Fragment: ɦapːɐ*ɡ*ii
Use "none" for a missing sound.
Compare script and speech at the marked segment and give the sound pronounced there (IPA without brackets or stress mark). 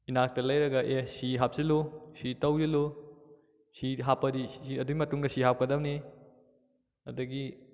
d